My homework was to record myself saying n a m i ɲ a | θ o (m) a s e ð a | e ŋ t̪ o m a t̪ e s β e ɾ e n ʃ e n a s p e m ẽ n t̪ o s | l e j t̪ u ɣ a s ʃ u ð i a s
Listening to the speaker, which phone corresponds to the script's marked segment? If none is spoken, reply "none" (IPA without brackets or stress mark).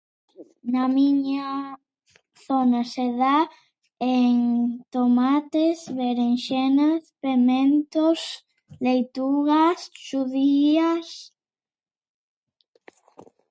n